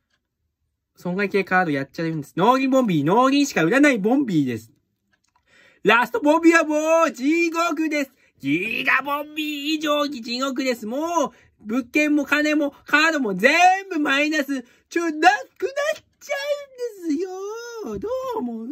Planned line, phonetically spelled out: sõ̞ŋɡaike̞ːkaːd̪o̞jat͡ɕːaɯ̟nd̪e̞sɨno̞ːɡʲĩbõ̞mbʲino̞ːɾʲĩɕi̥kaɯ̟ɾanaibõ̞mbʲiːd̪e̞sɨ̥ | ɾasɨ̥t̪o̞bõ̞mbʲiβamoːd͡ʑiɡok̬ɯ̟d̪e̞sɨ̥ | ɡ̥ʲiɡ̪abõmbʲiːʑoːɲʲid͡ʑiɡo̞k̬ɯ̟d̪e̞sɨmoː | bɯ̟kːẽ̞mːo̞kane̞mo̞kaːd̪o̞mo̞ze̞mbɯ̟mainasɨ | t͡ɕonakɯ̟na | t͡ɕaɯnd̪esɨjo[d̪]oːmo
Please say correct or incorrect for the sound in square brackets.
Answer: correct